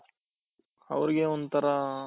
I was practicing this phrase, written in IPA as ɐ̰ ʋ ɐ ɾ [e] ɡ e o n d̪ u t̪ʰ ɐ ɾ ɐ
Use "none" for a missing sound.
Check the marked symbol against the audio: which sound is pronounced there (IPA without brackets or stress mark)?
i